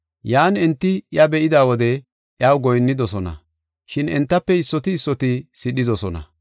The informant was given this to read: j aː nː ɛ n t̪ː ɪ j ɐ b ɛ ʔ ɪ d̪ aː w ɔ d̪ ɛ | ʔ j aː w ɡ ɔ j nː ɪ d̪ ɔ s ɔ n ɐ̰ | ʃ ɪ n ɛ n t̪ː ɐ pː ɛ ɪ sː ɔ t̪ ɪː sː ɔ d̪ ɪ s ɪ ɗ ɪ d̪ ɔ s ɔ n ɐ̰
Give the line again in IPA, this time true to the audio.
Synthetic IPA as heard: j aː n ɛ n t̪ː ɪ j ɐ b ɛ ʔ ɪ d̪ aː w ɔ d̪ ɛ | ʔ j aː w ɡ ɔ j nː ɪ d̪ ɔ s ɔ n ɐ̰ | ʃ ɪ n ɛ n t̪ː ɐ pː ɛ ɪ sː ɔ t̪ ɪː sː ɔ t̪ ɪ s ɪ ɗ ɪ d̪ ɔ s ɔ n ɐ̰